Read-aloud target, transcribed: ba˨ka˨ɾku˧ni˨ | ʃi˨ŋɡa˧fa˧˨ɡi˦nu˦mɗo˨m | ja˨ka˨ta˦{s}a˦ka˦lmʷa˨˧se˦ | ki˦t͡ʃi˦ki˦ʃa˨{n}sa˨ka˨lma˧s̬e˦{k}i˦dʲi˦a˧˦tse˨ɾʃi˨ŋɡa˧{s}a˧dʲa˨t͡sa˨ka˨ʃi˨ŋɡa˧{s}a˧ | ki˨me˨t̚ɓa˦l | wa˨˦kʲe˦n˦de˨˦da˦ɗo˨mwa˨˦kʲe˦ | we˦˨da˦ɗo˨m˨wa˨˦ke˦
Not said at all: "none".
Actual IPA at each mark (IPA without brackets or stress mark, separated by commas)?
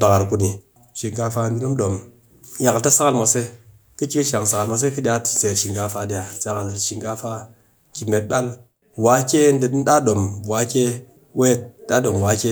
s, ŋ, k, f, f